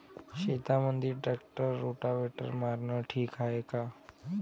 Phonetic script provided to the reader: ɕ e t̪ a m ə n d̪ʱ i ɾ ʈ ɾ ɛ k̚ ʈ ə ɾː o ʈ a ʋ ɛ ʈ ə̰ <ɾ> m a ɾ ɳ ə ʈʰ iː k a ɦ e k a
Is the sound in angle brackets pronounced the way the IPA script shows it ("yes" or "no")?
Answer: yes